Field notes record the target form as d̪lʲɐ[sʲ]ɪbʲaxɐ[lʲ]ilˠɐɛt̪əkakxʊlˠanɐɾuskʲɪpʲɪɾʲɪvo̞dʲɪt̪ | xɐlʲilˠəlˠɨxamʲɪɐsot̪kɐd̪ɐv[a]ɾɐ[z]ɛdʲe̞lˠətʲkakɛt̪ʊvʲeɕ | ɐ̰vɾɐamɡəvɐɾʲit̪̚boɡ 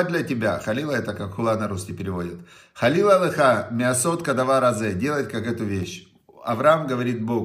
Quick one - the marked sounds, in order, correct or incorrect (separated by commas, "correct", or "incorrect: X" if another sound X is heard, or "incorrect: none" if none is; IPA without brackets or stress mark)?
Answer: incorrect: tʲ, correct, correct, correct